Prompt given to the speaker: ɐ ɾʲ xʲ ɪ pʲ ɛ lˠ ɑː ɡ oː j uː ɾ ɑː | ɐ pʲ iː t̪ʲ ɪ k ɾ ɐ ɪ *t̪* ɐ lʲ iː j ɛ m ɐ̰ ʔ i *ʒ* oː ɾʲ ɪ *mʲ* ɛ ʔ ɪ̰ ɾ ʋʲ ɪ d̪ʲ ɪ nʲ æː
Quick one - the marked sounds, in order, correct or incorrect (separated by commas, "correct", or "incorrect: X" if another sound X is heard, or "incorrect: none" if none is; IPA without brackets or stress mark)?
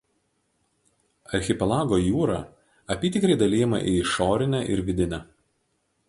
incorrect: d̪, incorrect: ʃ, incorrect: nʲ